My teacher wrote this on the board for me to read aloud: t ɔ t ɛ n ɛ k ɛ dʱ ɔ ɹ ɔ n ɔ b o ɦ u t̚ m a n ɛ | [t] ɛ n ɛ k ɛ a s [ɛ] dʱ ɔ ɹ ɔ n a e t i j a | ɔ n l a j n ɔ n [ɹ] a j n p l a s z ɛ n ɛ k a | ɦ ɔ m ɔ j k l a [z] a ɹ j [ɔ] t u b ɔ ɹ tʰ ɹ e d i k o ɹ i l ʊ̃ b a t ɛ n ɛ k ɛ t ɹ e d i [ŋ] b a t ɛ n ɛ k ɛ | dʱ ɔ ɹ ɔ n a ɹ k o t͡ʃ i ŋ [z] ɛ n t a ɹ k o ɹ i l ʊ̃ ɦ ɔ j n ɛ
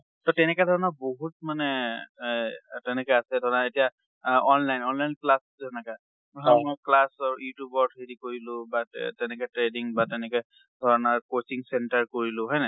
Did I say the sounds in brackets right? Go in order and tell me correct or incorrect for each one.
correct, correct, incorrect: l, incorrect: s, incorrect: u, correct, incorrect: s

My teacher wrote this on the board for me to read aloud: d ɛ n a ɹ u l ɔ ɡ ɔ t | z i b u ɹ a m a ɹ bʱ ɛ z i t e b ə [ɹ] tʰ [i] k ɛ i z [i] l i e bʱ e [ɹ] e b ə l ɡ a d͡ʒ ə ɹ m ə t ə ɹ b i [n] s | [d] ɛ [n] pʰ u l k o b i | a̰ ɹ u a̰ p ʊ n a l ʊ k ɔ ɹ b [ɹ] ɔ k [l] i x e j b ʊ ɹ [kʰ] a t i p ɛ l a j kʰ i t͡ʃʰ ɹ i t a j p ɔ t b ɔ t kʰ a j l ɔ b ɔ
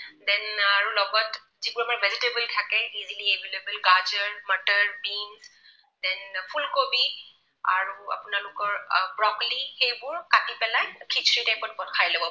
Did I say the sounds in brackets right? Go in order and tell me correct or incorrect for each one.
incorrect: l, incorrect: a, correct, incorrect: l, correct, correct, correct, correct, correct, incorrect: k

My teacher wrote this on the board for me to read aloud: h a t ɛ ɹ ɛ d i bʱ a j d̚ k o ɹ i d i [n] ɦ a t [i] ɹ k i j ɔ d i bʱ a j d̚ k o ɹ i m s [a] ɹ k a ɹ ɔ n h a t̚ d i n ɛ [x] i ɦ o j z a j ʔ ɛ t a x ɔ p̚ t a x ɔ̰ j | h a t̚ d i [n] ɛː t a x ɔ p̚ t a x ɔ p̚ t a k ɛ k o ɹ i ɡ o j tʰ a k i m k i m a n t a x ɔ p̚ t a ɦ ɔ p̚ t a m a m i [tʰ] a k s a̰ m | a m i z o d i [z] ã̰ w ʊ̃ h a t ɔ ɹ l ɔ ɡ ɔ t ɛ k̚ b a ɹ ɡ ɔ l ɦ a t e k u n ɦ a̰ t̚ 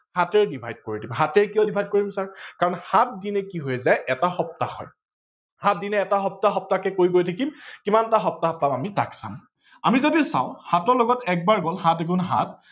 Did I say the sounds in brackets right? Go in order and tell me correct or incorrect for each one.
incorrect: m, incorrect: ɛ, correct, incorrect: k, correct, incorrect: t, incorrect: s

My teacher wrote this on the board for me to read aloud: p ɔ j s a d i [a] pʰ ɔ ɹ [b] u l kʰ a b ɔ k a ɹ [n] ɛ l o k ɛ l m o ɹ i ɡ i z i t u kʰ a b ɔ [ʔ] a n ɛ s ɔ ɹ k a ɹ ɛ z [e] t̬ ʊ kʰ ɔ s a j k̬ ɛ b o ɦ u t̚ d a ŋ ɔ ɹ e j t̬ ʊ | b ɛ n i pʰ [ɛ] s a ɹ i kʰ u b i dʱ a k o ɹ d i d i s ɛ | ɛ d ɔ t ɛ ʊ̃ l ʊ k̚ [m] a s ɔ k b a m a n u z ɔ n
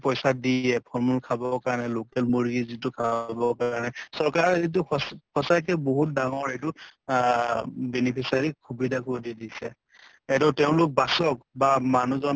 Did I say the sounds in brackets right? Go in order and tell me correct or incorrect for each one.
incorrect: ɛ, incorrect: m, correct, incorrect: k, incorrect: i, incorrect: i, incorrect: b

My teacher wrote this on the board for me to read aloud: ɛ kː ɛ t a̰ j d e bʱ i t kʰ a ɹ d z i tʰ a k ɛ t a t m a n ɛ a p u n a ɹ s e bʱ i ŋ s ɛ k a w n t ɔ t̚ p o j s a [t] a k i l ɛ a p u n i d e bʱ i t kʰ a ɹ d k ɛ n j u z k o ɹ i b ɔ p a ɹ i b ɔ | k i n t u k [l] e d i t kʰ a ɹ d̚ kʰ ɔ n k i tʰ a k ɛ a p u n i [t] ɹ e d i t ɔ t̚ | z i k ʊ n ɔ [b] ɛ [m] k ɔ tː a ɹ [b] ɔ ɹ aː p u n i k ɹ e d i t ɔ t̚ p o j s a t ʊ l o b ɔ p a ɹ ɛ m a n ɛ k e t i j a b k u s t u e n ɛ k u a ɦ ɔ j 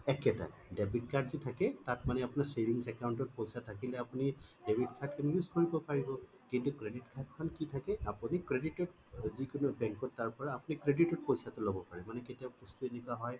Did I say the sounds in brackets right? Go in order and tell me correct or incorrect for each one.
incorrect: tʰ, incorrect: ɹ, incorrect: k, correct, incorrect: ŋ, incorrect: p

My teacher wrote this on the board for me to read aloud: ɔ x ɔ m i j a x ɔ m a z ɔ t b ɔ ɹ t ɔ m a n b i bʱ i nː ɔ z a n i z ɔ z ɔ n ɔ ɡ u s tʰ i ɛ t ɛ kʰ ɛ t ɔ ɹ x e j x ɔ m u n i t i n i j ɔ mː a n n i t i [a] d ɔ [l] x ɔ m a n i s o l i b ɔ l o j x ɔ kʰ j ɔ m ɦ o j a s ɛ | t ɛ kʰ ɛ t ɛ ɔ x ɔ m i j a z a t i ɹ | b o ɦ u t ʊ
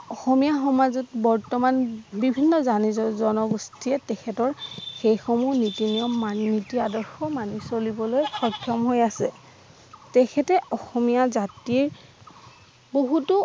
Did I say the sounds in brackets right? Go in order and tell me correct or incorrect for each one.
correct, incorrect: ɹ

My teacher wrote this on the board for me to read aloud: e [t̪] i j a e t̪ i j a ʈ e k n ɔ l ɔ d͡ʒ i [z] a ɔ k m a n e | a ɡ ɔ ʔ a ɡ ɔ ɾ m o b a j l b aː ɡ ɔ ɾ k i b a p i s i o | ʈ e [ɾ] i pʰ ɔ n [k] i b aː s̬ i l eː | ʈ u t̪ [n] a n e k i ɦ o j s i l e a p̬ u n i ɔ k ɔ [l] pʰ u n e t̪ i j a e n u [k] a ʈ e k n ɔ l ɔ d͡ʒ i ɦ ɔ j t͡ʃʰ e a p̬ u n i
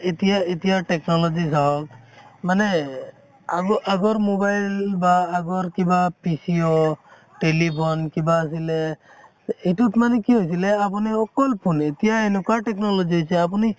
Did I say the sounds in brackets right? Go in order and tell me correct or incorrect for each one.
correct, incorrect: s, incorrect: l, correct, incorrect: m, correct, correct

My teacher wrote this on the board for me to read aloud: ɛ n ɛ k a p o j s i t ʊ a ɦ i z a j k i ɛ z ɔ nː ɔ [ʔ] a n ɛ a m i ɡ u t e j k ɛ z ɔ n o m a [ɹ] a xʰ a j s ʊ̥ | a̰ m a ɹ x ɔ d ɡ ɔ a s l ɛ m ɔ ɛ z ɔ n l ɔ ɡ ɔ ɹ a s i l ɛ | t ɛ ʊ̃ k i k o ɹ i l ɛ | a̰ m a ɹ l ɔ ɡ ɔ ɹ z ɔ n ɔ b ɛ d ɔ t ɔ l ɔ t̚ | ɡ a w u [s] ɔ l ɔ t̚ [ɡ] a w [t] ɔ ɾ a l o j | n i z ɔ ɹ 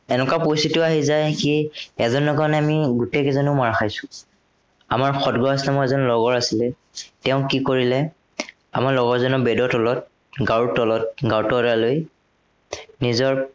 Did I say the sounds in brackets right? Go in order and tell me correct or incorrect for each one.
incorrect: k, correct, incorrect: t, correct, correct

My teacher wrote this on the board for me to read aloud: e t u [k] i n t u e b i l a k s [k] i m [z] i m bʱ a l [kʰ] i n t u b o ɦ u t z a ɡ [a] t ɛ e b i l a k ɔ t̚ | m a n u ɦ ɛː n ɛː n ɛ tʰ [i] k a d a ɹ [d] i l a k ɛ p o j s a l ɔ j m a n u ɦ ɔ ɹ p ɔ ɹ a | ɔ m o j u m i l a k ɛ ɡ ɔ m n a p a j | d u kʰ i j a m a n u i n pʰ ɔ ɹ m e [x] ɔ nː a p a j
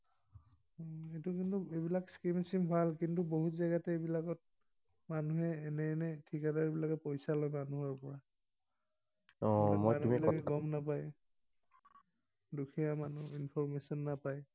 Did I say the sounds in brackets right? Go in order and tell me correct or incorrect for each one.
correct, correct, incorrect: s, incorrect: k, correct, correct, incorrect: b, incorrect: s

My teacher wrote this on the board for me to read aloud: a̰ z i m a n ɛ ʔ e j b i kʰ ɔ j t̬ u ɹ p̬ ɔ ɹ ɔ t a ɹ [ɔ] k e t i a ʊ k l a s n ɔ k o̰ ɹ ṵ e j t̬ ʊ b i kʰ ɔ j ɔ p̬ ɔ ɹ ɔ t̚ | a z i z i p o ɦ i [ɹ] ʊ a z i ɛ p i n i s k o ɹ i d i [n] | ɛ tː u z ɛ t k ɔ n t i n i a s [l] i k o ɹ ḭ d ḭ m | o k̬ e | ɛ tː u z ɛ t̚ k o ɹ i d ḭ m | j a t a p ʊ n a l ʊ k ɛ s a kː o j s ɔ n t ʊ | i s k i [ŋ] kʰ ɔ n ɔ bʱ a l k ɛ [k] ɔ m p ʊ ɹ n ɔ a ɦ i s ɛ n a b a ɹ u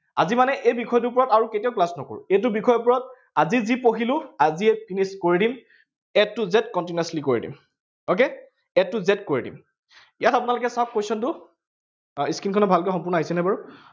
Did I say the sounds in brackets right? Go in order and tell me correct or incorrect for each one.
incorrect: u, incorrect: l, incorrect: m, correct, incorrect: n, incorrect: x

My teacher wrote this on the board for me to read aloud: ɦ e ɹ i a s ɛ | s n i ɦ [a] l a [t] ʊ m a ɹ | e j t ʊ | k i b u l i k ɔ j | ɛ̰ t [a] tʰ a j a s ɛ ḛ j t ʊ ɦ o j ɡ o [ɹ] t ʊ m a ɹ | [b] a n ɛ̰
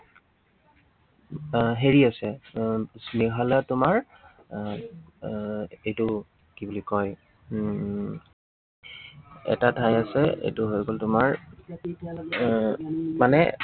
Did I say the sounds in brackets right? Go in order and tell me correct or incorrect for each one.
correct, correct, correct, incorrect: l, incorrect: m

